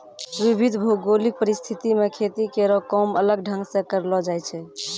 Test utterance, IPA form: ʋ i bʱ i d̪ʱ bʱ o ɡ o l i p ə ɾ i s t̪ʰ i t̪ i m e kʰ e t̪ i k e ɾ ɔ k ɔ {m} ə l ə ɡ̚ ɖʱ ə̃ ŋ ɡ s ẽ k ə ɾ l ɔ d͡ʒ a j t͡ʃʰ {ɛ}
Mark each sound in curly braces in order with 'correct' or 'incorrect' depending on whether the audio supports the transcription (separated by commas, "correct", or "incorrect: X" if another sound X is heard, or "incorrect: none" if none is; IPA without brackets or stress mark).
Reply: correct, correct